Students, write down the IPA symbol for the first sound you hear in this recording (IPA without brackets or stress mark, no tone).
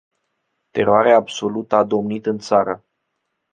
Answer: t̪